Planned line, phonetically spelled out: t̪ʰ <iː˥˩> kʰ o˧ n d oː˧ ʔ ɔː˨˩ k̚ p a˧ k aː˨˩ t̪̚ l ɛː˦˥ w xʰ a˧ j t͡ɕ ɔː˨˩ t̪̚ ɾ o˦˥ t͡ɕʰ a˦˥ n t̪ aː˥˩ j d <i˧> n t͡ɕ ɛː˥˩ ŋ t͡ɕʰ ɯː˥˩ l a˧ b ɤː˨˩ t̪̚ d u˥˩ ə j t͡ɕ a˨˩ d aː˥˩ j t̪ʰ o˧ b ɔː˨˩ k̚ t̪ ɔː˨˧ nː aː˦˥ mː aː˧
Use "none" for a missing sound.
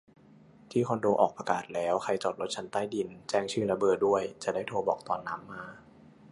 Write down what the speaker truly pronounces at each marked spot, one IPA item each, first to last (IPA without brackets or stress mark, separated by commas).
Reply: iː˥˩, i˧